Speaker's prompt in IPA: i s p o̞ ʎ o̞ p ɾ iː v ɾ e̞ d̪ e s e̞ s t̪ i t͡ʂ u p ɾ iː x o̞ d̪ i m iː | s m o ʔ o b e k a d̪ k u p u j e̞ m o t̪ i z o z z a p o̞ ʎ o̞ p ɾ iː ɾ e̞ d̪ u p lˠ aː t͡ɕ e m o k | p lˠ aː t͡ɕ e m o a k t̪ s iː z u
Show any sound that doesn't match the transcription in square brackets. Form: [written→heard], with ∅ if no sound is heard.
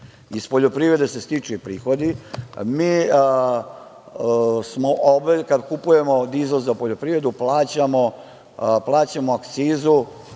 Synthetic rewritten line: i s p o̞ ʎ o̞ p ɾ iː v ɾ e̞ d̪ e s e̞ s t̪ i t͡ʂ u p ɾ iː x o̞ d̪ i m iː | s m o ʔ o b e k a d̪ k u p u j e̞ m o [t̪→d̪] i z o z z a p o̞ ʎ o̞ p ɾ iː ɾ e̞ d̪ u p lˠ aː t͡ɕ [e→a] m o [k→∅] | p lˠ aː t͡ɕ [e→a] m o a k t̪ s iː z u